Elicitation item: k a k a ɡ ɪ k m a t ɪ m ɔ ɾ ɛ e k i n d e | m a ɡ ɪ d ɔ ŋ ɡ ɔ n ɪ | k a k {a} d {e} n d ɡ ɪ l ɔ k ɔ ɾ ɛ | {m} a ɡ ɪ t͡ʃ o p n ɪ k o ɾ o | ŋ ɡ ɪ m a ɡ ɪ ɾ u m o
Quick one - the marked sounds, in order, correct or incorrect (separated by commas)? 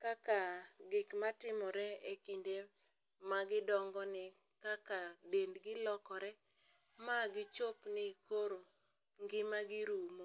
correct, correct, correct